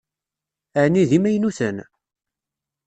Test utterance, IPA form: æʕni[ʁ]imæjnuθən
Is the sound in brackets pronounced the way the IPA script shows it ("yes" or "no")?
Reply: no